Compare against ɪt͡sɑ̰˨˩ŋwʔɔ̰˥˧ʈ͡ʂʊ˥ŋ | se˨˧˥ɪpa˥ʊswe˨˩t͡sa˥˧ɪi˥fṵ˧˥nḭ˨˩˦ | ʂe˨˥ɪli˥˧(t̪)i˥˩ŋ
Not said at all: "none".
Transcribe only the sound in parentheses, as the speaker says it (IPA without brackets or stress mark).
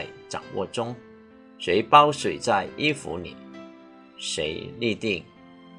t̪